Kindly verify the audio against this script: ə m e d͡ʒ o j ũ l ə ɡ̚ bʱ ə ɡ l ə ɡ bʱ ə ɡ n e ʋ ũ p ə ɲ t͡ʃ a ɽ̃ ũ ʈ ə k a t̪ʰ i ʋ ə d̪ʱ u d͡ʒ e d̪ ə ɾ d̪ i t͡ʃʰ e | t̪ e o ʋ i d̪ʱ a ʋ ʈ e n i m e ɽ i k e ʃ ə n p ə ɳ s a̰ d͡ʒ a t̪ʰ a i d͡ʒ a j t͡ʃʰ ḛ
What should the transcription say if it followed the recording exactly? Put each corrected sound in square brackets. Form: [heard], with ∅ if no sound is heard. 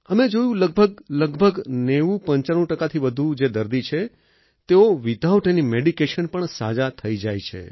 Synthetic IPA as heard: ə m e d͡ʒ o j ũ l ə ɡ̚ bʱ ə ɡ l ə ɡ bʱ ə ɡ n e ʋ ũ p ə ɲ t͡ʃ a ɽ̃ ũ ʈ ə k a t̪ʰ i ʋ ə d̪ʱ u d͡ʒ e d̪ ə ɾ d̪ i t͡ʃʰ e | t̪ e o ʋ i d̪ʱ a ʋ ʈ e n i m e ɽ i k e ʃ ə n p ə ɳ s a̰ d͡ʒ a t̪ʰ [ə] i d͡ʒ a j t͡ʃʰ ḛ